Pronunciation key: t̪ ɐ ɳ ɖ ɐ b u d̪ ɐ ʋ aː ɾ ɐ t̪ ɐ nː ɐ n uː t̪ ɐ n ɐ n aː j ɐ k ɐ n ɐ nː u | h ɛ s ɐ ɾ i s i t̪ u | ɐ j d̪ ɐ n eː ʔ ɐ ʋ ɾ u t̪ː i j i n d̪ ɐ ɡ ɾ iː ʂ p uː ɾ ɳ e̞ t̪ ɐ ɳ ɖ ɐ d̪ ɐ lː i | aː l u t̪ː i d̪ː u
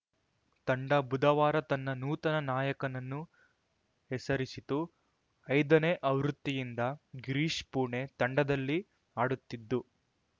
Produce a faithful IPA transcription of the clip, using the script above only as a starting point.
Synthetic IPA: t̪ ɐ ɳ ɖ ɐ b u d̪ ɐ ʋ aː ɾ ɐ t̪ ɐ nː ɐ n uː t̪ ɐ n ɐ n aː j ɐ k ɐ n ɐ nː u | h ɛ s ɐ ɾ i s i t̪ u | ɐ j d̪ ɐ n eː ʔ ɐ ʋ ɾ u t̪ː i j i n d̪ ɐ ɡ ɾ iː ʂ p uː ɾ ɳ e̞ t̪ ɐ ɳ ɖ ɐ d̪ ɐ lː i | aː ɽ u t̪ː i d̪ː u